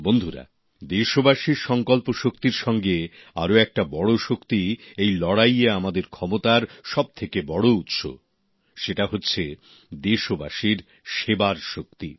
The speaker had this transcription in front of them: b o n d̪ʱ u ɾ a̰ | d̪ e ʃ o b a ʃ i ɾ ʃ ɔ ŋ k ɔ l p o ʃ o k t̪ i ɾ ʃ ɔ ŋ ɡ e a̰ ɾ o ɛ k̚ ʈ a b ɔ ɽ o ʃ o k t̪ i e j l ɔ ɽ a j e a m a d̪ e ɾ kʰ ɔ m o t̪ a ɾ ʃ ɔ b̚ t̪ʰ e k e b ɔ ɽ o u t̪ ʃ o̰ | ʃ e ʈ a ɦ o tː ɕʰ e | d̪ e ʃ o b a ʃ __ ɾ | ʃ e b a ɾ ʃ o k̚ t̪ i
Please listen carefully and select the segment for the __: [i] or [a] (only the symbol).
i